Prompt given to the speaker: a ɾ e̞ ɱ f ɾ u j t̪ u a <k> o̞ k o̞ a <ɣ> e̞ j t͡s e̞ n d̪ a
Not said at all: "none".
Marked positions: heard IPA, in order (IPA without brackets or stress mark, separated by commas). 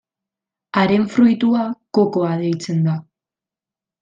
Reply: k, ð